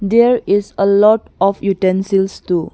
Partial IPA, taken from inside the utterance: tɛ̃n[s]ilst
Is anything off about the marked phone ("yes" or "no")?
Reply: no